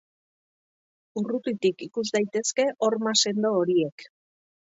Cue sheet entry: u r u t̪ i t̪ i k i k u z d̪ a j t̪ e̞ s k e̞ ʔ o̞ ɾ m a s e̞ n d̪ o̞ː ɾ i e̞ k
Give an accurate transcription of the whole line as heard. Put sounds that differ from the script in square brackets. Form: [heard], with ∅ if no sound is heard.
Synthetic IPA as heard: u r u t̪ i t̪ i k i k u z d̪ a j t̪ e̞ s k e̞ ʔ o̞ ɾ m a s e̞ n d̪ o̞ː ɾ i e̞ k